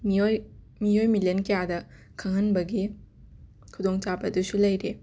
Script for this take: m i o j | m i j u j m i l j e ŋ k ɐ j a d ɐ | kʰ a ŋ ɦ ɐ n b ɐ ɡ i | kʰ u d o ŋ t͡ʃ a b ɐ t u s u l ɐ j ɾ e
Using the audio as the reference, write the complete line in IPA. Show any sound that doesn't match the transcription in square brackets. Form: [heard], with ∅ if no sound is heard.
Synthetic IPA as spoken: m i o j | m i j [o] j m i l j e [n] k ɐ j a d ɐ | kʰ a ŋ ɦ ɐ n b ɐ ɡ i | kʰ u d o ŋ t͡ʃ a b ɐ [d] u s u l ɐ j ɾ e